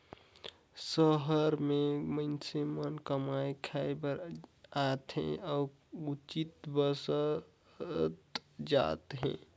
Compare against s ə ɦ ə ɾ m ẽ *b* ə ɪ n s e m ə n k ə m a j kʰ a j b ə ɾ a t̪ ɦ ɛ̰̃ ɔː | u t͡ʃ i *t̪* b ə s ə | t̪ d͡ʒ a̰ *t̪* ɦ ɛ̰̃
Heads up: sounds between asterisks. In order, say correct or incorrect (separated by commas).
incorrect, correct, correct